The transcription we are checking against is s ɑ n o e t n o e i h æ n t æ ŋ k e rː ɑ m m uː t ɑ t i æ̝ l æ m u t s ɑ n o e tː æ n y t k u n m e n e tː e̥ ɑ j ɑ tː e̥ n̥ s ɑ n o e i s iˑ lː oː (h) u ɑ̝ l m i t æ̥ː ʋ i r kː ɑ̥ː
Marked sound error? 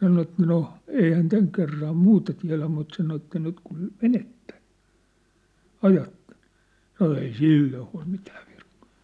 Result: no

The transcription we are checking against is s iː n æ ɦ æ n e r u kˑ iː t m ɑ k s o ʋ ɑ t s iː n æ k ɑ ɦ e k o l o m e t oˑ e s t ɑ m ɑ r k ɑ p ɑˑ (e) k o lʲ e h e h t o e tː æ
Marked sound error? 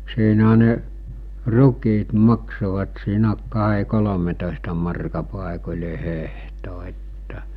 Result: no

